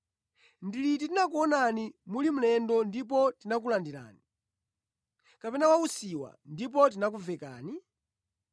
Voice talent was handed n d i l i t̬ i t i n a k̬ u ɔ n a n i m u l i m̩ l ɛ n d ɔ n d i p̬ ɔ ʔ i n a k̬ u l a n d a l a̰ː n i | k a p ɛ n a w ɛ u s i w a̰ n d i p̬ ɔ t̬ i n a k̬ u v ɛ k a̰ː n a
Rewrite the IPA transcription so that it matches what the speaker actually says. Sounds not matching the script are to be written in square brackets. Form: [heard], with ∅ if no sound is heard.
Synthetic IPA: n d i l i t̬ i t i n a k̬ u ɔ n a n i m u l i m̩ l ɛ n d ɔ n d i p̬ ɔ [t] i n a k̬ u l a n d [i] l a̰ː n i | k a p ɛ n a w [a] u s i w a̰ n d i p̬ ɔ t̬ i n a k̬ u v ɛ k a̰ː n [i]